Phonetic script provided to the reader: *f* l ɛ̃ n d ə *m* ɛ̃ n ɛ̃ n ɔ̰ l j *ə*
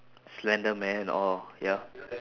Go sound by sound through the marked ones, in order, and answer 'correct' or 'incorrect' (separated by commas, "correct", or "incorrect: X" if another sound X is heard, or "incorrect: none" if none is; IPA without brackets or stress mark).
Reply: incorrect: s, correct, incorrect: a